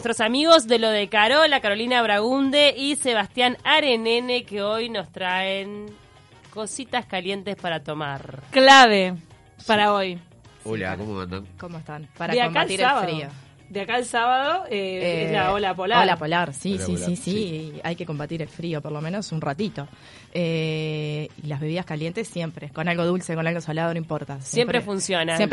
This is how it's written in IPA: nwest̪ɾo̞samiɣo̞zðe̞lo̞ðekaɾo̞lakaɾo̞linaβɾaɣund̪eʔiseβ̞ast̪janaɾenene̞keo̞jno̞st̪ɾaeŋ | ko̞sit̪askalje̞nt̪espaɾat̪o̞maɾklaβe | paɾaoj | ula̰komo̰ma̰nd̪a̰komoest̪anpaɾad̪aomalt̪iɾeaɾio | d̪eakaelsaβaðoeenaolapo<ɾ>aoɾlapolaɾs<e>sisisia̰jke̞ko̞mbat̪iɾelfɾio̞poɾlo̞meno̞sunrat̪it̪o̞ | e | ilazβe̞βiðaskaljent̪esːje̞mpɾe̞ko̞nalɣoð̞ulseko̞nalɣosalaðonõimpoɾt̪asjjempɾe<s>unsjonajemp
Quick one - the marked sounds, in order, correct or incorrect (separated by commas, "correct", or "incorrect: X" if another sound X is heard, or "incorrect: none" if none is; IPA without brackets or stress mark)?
incorrect: l, incorrect: i, incorrect: f